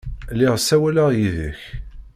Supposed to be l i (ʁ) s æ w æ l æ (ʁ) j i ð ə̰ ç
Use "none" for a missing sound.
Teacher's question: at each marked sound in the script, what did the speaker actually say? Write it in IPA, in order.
ʁ, ʁ

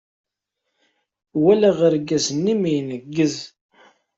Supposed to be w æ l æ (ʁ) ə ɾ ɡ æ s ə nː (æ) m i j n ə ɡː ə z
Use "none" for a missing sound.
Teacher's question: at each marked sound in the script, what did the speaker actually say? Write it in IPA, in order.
ʁ, i

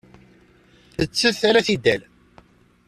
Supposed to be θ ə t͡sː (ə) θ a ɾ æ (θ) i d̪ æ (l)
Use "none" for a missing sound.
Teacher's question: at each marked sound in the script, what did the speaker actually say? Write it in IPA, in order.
ə, θ, l

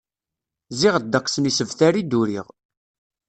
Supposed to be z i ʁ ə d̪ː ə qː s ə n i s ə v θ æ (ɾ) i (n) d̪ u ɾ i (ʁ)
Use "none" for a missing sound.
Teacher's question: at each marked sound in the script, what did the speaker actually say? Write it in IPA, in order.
ɾ, none, ʁ

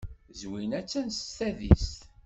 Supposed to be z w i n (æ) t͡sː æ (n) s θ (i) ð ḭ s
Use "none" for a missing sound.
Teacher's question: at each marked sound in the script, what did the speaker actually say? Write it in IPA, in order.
æ, n, æ

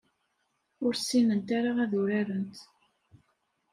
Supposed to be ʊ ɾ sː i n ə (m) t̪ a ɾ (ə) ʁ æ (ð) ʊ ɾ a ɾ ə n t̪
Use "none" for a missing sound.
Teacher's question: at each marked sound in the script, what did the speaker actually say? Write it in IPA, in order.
n, a, ð

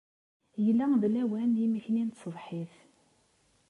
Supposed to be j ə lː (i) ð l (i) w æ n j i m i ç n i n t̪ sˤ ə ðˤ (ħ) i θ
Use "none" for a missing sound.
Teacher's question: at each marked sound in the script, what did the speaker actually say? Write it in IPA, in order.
æ, æ, ħ

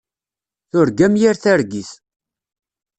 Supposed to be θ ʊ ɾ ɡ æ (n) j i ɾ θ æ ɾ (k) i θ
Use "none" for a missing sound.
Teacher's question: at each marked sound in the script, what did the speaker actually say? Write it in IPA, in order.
m, ɡ

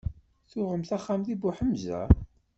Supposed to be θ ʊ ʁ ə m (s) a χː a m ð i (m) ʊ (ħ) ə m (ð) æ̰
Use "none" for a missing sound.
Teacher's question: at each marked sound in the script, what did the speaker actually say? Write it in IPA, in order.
θ, b, ħ, z

